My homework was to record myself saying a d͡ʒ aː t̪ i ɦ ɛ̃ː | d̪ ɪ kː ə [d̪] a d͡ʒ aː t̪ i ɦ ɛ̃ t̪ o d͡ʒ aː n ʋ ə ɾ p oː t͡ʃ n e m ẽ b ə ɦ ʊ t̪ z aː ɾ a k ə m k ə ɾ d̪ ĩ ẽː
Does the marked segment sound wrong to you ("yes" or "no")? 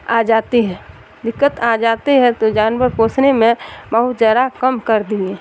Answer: yes